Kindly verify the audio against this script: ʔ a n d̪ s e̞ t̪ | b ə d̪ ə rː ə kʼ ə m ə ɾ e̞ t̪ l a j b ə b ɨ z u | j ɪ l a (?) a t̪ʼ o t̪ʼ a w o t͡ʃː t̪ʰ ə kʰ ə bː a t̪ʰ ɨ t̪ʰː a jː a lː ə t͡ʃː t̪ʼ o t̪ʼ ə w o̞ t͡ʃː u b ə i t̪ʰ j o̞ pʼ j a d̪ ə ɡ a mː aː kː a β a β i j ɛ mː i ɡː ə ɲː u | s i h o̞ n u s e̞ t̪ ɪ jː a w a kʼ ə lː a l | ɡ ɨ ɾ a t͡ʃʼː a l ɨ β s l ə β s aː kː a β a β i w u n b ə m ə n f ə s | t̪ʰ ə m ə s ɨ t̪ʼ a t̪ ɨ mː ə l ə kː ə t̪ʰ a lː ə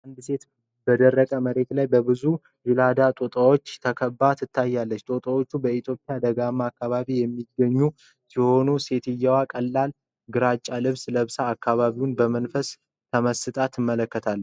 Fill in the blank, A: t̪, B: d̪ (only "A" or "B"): B